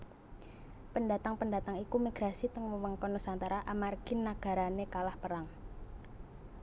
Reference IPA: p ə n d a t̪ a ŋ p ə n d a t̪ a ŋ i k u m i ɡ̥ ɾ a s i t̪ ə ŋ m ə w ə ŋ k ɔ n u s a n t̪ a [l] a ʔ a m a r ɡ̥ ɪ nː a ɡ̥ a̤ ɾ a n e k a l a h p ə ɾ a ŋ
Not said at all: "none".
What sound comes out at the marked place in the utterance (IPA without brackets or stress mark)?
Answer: ɾ